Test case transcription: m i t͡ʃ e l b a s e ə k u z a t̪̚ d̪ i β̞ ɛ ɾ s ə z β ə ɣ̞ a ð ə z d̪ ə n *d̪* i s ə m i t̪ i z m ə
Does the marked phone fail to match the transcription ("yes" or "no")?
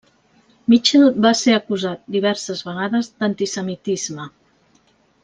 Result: yes